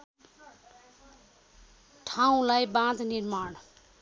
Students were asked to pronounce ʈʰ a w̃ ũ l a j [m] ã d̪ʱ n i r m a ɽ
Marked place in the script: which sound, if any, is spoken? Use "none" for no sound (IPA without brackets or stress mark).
b